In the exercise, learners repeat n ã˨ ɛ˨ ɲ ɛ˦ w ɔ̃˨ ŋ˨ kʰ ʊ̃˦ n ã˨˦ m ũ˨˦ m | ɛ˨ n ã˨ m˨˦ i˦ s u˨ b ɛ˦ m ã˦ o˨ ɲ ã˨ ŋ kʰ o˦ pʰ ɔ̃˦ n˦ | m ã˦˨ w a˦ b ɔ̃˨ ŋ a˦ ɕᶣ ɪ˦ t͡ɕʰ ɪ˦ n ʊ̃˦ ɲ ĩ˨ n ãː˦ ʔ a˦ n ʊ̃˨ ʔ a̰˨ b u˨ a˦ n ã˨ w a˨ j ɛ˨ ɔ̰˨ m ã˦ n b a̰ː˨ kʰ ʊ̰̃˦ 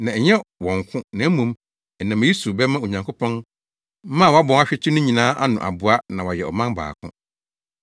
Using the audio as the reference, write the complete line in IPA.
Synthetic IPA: n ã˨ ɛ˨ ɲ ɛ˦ w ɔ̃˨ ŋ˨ kʰ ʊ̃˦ n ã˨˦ m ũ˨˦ m | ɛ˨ n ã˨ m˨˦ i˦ s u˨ b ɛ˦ m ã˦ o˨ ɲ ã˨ ŋ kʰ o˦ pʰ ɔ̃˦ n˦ | m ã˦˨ w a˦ b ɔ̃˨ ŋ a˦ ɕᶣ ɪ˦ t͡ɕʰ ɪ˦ n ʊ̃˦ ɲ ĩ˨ n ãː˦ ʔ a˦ n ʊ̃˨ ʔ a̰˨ b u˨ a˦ n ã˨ w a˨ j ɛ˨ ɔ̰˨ m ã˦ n b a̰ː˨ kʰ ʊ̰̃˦